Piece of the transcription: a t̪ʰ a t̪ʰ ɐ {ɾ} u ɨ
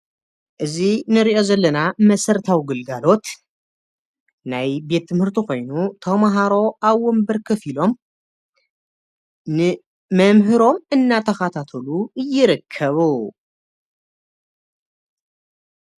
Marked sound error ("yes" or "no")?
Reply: yes